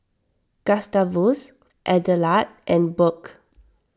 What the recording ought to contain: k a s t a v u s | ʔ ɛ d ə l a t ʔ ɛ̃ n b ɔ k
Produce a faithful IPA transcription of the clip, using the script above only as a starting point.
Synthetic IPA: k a s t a v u s | ʔ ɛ d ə l a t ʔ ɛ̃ n b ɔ k